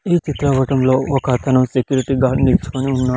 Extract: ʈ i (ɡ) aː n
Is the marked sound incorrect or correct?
correct